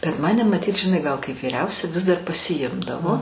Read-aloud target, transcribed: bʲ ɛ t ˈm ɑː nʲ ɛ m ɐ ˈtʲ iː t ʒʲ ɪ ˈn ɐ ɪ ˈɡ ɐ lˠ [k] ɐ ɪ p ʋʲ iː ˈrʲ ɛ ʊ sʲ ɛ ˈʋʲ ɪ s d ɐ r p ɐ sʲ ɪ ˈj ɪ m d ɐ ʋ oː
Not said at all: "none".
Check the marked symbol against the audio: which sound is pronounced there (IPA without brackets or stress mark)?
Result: k